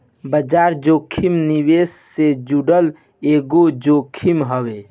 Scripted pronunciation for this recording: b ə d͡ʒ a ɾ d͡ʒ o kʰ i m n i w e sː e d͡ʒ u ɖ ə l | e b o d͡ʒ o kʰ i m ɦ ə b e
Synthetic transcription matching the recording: b ə d͡ʒ a ɾ d͡ʒ o kʰ i m n i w e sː e d͡ʒ u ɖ ə l | e ɡ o d͡ʒ o kʰ i m ɦ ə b e